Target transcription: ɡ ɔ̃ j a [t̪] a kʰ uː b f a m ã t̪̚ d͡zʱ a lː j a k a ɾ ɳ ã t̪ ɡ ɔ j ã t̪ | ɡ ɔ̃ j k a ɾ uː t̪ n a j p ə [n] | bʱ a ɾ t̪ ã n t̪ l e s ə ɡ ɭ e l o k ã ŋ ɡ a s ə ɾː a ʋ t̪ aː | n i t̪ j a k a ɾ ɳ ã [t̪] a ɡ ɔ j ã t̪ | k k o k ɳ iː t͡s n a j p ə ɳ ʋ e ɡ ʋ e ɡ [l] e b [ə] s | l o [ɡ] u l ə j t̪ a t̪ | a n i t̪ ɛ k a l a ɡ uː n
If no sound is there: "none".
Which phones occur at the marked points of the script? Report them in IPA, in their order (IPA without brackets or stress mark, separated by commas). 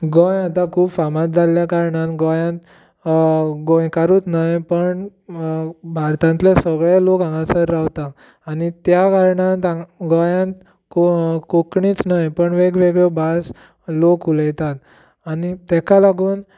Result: t̪, ɳ, t̪, ɭ, a, k